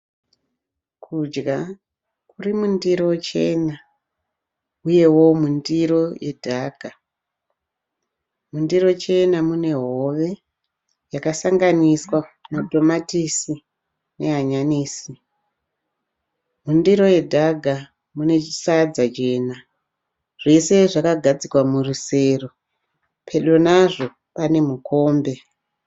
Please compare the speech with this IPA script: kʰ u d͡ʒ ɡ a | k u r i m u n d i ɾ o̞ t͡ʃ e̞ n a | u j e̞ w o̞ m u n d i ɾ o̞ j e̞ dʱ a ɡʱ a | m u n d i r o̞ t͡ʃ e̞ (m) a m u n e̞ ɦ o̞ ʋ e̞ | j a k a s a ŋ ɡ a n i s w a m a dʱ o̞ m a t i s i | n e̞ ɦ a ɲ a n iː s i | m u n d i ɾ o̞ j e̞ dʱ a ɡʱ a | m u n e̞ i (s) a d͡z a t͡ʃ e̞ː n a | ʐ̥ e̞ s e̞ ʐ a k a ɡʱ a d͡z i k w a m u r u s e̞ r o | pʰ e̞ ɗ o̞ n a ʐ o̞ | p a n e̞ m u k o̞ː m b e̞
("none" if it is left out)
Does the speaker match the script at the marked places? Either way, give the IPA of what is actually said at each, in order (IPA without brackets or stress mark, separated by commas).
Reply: n, s